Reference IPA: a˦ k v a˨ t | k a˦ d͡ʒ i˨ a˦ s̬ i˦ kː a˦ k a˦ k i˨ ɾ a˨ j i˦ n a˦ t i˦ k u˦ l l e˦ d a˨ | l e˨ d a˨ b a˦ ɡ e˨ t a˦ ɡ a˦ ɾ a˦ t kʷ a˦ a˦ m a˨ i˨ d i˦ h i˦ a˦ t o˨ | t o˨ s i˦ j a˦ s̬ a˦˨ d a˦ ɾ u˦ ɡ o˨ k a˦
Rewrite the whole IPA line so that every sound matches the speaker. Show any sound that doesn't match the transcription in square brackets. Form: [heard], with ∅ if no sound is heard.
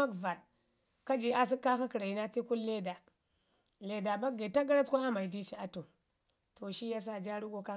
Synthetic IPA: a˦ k v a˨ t | k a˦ d͡ʒ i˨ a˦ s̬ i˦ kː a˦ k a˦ k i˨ ɾ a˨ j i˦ n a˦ t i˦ k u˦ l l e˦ d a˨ | l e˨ d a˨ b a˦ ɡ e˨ t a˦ ɡ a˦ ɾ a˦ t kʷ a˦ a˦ m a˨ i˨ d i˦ [s] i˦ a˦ t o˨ | t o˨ [ʃ] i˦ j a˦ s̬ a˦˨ [d͡ʒ] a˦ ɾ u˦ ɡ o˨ k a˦